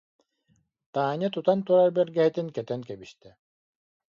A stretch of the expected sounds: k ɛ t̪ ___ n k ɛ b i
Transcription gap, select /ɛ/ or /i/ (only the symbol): ɛ